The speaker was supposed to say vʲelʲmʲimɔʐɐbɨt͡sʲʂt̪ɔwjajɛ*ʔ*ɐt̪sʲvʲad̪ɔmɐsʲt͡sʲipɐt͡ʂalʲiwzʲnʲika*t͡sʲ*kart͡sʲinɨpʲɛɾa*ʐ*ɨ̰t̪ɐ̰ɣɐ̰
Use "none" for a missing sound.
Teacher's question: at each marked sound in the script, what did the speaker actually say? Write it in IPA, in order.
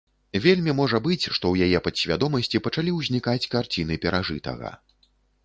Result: p, t͡sʲ, ʐ

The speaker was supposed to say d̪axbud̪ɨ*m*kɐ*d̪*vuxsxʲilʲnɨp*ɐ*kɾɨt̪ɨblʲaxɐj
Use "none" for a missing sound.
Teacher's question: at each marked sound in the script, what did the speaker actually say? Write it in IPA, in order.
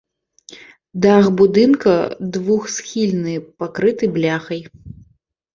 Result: n, d̪, a

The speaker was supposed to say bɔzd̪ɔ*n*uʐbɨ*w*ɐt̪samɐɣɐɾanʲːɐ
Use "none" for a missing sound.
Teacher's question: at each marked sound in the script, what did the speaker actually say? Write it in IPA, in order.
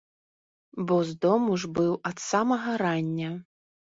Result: m, w

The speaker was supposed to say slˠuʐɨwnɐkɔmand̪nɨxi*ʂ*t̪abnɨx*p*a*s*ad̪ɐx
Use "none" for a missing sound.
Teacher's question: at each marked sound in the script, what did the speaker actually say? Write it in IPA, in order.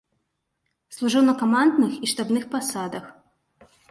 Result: ʂ, p, s

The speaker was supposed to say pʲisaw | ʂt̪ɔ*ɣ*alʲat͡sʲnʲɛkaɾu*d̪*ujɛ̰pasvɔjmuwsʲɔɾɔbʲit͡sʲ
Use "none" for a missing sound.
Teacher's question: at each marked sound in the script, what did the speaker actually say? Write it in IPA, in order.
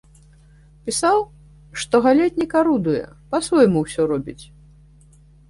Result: ɣ, d̪

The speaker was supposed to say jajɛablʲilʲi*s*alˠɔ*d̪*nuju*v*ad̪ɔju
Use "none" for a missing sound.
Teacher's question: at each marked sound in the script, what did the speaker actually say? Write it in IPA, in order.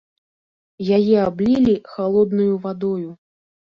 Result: x, d̪, v

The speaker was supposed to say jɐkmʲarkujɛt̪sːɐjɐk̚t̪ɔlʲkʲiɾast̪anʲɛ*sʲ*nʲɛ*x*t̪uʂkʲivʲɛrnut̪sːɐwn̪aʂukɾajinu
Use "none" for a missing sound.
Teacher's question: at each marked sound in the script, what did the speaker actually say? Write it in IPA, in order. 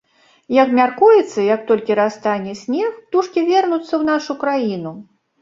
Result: sʲ, x

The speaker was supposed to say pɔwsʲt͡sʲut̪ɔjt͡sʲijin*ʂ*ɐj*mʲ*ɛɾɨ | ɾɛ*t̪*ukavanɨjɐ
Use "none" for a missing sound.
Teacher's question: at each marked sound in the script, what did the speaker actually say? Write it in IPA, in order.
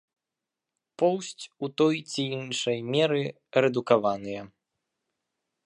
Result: ʂ, mʲ, d̪

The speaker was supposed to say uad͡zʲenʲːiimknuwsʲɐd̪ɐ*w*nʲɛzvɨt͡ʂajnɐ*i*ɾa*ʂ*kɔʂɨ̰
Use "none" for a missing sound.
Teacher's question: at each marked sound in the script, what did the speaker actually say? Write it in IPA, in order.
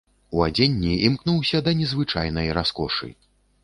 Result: none, j, s

